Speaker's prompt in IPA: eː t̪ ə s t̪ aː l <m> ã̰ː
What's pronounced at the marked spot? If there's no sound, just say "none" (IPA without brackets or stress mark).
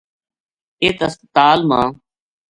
m